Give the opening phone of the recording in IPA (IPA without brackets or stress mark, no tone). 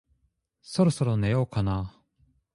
s